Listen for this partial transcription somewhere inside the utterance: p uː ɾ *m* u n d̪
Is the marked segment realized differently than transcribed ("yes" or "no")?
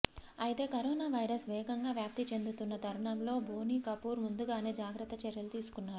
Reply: no